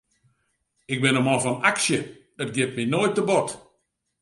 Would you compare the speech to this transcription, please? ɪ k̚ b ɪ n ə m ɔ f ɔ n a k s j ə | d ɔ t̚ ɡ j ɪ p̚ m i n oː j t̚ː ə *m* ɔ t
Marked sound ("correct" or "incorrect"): incorrect